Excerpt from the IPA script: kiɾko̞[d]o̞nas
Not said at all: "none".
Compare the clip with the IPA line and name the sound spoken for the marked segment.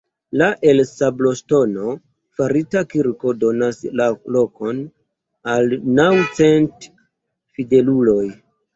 d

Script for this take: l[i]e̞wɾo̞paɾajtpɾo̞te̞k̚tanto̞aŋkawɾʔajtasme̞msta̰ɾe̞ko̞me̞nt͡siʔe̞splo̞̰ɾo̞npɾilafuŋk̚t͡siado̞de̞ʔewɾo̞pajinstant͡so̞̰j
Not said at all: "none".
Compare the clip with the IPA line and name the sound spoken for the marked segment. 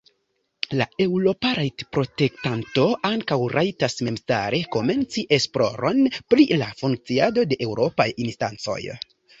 a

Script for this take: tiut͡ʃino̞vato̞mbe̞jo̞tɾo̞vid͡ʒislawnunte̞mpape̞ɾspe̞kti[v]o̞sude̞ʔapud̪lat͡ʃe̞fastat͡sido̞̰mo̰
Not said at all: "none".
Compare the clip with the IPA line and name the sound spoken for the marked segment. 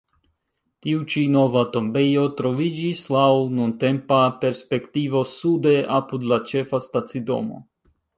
v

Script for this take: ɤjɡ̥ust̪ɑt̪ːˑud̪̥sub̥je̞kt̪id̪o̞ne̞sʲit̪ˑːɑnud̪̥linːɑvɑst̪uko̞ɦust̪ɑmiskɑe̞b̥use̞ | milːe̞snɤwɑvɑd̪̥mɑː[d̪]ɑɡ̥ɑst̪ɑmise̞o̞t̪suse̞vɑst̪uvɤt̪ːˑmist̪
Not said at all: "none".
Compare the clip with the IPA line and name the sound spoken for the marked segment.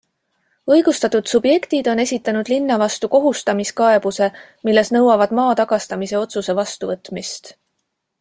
t̪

